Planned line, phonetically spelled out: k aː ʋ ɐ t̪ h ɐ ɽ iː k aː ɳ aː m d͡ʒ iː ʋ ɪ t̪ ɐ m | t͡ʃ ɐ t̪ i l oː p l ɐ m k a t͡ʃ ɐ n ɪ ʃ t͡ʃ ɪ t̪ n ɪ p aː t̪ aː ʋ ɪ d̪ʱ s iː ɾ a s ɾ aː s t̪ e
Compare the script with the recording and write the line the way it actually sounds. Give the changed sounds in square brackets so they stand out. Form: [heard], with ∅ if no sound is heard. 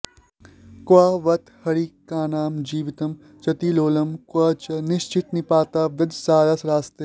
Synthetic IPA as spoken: k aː ʋ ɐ t̪ h ɐ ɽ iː k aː [n] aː m d͡ʒ iː ʋ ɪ t̪ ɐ m | t͡ʃ ɐ t̪ i l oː [∅] l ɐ m k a t͡ʃ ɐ n ɪ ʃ t͡ʃ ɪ t̪ n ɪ p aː t̪ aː ʋ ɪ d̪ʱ s [aː] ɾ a s ɾ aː s t̪ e